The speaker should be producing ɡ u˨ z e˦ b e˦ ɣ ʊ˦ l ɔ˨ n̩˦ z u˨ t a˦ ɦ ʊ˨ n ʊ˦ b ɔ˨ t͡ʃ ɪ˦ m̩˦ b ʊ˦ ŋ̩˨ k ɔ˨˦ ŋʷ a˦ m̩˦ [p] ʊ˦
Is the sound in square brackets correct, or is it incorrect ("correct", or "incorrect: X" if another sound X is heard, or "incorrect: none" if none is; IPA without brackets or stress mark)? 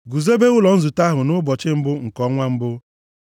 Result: incorrect: b